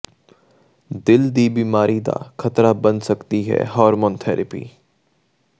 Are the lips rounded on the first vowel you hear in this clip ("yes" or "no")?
no